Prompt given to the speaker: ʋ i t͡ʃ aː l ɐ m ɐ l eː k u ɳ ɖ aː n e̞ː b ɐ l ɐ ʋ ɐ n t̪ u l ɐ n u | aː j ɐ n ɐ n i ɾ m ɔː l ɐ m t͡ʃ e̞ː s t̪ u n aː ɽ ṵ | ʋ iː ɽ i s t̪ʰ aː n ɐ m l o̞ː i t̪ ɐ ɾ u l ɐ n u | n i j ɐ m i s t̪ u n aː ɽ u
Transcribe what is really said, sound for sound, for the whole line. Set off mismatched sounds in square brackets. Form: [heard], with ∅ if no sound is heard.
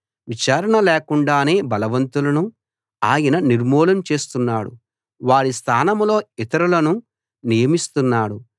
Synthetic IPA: ʋ i t͡ʃ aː [ɾ] ɐ [ɳ] ɐ l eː k u ɳ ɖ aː n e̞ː b ɐ l ɐ ʋ ɐ n t̪ u l ɐ n u | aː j ɐ n ɐ n i ɾ m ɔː l ɐ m t͡ʃ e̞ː s t̪ u [nː] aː ɽ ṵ | ʋ [aː] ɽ i s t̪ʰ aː n ɐ m l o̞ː i t̪ ɐ ɾ u l ɐ n u | n i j ɐ m i s t̪ u [nː] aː ɽ u